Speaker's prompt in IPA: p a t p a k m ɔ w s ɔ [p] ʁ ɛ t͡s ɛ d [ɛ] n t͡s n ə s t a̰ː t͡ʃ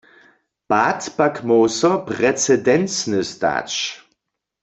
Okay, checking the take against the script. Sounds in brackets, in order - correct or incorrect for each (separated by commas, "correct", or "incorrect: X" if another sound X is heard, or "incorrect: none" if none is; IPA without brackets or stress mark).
correct, correct